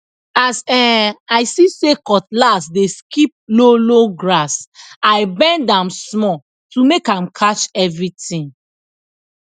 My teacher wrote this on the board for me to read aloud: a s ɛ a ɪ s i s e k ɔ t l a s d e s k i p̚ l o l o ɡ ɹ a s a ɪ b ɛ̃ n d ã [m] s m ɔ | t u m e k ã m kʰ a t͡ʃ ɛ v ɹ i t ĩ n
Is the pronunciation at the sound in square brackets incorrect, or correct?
correct